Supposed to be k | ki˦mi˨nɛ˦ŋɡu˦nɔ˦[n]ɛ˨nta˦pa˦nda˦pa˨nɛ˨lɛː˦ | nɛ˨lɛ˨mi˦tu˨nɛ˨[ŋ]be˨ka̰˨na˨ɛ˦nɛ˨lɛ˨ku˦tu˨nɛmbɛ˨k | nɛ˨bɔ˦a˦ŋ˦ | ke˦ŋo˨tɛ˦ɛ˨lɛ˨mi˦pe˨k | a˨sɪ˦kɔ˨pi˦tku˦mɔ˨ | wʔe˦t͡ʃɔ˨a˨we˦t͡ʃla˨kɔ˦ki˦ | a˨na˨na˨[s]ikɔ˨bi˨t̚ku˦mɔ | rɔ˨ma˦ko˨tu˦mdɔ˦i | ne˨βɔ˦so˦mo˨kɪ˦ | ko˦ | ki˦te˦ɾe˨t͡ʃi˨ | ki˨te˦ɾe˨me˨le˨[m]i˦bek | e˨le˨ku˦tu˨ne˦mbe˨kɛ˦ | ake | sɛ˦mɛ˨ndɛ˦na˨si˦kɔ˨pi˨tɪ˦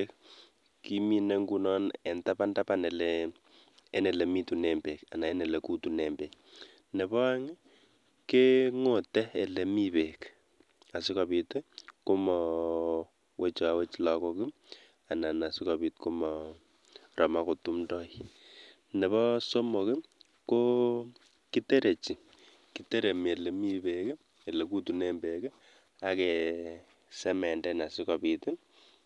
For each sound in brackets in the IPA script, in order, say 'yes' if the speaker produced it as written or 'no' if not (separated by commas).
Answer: yes, no, yes, yes